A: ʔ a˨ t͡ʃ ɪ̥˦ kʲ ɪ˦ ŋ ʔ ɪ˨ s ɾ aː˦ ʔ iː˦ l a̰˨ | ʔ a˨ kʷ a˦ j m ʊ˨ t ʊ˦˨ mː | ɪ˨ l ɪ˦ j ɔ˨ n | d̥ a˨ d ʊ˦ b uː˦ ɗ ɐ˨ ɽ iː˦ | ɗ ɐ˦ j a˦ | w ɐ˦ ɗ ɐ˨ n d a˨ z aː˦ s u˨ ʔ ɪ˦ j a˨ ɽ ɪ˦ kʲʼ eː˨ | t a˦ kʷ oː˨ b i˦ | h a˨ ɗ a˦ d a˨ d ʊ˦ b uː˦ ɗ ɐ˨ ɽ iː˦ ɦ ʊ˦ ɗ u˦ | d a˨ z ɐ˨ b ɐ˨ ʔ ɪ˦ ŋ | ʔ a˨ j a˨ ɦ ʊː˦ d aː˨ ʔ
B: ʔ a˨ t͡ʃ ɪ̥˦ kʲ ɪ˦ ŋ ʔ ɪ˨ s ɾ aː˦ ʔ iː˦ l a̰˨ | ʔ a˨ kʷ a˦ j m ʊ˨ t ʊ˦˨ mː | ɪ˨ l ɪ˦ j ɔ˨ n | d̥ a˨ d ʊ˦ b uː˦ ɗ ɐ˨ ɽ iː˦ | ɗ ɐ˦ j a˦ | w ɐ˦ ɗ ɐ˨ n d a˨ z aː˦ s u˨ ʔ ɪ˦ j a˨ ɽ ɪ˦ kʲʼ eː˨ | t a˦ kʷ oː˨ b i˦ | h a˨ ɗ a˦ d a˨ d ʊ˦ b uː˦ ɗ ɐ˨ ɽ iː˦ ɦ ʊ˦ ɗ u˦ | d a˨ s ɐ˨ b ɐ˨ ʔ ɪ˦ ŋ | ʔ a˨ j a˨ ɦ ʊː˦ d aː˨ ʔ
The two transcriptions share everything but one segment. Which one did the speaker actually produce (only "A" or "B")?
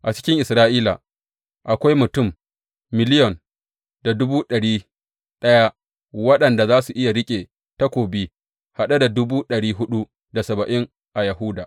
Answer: B